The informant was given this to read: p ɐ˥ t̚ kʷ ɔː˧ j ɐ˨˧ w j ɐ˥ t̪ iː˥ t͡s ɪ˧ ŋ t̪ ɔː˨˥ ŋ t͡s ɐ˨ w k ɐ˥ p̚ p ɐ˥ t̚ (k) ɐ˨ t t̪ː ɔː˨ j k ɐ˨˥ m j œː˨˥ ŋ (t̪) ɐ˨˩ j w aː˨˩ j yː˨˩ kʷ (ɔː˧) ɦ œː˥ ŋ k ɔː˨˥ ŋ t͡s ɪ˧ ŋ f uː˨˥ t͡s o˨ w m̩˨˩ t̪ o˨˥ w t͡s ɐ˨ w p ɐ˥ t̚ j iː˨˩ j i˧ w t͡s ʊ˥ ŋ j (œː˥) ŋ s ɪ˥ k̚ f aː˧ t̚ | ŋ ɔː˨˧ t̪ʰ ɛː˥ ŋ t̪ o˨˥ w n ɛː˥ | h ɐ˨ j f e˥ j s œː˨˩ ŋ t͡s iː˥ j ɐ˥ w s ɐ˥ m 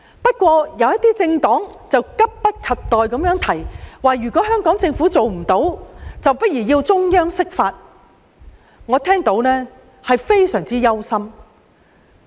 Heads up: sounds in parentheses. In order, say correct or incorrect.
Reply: incorrect: kʰ, incorrect: t̪ʰ, incorrect: ɔː˨˥, correct

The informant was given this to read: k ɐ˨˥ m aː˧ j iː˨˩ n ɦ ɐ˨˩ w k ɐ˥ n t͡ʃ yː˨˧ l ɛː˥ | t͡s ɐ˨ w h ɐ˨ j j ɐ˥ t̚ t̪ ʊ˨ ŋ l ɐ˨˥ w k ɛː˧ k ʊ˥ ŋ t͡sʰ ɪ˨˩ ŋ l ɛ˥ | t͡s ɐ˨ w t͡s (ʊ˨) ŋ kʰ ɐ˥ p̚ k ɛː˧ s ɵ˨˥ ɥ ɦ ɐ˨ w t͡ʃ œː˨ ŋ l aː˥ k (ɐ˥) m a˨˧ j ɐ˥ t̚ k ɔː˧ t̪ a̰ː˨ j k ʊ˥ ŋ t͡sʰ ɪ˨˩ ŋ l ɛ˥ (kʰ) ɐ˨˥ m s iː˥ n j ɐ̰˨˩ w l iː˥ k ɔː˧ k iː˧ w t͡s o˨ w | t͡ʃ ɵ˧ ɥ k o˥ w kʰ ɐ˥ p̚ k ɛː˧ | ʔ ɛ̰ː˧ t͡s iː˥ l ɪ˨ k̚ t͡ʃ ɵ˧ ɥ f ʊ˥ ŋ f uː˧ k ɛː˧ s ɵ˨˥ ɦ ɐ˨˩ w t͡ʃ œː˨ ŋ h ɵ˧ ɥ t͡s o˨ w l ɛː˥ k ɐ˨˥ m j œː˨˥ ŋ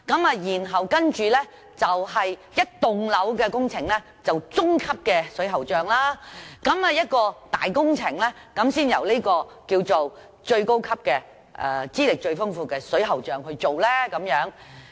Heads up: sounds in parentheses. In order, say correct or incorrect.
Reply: incorrect: ʊ˥, incorrect: ɐ˨˥, incorrect: k

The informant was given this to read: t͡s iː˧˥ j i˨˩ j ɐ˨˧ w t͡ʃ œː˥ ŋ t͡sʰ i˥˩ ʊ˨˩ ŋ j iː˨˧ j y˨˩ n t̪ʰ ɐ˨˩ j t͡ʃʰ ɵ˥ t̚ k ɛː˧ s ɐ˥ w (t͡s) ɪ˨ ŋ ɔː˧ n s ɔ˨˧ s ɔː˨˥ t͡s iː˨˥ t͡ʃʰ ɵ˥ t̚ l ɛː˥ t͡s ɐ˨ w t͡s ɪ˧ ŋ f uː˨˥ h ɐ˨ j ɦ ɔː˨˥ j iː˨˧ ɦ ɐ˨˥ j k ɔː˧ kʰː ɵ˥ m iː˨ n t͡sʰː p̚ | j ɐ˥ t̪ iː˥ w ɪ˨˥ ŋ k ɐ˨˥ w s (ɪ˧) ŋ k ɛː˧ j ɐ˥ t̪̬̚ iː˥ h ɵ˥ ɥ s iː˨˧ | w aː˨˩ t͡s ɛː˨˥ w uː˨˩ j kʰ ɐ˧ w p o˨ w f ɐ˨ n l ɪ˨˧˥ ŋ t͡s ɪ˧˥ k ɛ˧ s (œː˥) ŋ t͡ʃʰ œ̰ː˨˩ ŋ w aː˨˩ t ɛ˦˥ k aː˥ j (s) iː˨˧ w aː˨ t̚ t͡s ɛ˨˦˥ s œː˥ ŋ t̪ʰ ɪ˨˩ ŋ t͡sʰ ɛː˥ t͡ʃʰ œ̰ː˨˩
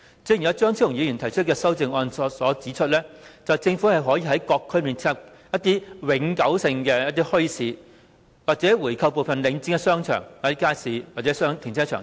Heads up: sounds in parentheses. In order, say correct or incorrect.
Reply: correct, correct, correct, correct

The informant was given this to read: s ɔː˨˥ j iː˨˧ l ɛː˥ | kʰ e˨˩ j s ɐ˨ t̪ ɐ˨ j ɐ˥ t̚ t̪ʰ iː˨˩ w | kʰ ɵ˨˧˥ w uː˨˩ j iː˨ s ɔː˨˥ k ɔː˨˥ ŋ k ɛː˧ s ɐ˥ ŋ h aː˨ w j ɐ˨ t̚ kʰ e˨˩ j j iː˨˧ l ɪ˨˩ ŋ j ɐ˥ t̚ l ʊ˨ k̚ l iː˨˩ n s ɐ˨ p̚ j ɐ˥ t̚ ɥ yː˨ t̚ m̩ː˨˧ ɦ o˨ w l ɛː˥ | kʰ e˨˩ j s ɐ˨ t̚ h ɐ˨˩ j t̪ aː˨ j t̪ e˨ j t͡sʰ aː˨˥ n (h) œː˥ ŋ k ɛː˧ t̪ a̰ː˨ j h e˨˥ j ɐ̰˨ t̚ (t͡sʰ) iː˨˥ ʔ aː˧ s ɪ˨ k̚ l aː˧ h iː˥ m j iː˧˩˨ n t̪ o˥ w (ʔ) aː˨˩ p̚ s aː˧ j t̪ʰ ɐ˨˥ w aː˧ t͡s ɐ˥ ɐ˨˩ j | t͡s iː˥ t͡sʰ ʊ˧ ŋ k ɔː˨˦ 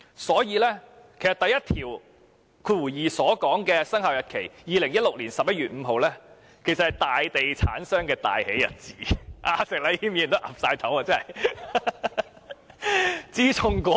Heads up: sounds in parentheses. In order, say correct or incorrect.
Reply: incorrect: s, incorrect: t͡s, correct

